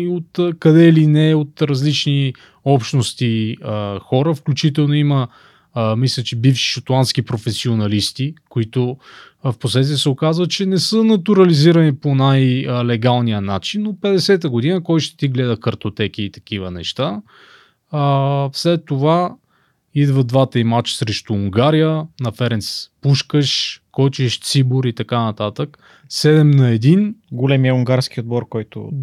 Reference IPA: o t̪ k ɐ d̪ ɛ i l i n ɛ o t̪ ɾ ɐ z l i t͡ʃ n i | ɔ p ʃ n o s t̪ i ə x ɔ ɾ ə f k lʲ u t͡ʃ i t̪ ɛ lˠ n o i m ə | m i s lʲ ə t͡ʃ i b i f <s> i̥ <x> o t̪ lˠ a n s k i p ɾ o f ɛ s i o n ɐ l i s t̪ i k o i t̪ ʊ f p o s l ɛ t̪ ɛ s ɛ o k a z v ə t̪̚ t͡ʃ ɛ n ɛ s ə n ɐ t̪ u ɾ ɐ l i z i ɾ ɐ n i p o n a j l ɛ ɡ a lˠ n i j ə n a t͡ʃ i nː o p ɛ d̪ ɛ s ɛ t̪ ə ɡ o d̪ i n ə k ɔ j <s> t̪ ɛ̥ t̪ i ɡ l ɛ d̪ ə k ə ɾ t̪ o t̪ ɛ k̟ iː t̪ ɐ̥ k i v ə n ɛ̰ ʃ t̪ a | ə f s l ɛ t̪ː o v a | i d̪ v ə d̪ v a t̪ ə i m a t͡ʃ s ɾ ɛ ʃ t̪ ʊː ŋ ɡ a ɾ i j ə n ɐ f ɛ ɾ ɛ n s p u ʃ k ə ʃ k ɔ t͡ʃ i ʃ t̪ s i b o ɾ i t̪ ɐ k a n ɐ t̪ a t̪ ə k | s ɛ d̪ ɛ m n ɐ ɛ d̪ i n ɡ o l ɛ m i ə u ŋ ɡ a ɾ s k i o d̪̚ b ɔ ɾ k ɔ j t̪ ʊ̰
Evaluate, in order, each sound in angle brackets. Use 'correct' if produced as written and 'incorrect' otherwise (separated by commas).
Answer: incorrect, incorrect, incorrect